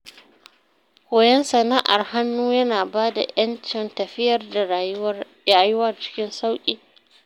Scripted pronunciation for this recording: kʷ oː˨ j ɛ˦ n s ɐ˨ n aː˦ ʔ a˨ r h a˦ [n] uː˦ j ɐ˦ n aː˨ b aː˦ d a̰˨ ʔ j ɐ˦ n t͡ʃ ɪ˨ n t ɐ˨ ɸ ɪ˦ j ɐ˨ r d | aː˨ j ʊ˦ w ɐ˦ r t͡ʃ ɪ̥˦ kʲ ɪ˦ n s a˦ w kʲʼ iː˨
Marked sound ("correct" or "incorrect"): incorrect